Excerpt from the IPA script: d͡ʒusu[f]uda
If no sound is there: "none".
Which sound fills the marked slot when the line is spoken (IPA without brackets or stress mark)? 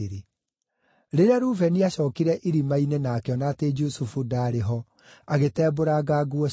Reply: f